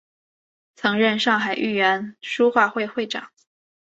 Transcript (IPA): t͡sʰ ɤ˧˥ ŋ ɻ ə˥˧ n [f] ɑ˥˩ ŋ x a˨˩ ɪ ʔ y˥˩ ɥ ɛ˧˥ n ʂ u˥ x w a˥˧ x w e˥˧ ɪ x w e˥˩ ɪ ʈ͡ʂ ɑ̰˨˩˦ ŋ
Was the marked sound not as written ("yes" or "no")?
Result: yes